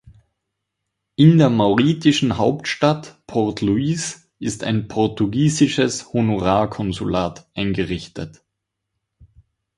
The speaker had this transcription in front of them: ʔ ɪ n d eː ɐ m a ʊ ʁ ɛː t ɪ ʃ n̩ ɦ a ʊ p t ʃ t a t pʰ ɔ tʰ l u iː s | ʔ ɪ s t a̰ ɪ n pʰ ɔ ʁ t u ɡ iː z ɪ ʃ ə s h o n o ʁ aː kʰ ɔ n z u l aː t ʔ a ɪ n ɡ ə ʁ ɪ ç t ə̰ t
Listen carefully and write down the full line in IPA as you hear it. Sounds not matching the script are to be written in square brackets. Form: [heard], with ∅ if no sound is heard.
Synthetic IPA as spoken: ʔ ɪ n d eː ɐ m a ʊ ʁ [iː] t ɪ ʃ n̩ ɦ a ʊ p t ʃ t a t pʰ ɔ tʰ l u iː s | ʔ ɪ s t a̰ ɪ n pʰ ɔ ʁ t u ɡ iː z ɪ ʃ ə s h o n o ʁ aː kʰ ɔ n z u l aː t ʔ a ɪ n ɡ ə ʁ ɪ ç t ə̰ t